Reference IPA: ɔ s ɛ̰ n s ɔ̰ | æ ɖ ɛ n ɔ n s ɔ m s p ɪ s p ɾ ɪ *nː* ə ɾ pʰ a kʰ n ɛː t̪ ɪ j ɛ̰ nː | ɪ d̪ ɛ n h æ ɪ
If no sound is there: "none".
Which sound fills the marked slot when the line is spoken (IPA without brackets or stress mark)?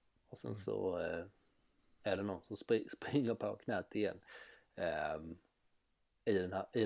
ŋː